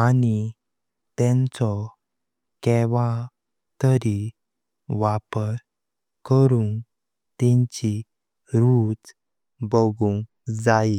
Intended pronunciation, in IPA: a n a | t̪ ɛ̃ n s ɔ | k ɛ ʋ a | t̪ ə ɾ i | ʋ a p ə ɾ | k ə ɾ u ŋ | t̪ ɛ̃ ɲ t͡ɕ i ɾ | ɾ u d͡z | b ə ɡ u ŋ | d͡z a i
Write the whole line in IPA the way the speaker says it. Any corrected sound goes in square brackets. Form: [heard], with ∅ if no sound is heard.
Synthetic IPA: a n [i] | t̪ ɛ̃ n [t͡s] ɔ | k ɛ ʋ a | t̪ ə ɾ i | ʋ a p ə ɾ | k ə ɾ u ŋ | t̪ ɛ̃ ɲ t͡ɕ i [∅] | ɾ u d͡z | b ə ɡ u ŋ | d͡z a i